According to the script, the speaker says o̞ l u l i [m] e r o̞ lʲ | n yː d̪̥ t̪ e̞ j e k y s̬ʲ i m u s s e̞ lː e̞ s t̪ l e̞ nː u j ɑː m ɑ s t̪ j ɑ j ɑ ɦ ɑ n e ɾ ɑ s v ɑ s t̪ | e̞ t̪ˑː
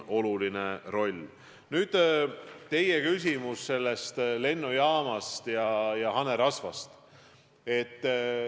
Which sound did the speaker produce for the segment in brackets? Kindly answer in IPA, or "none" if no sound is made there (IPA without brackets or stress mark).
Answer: n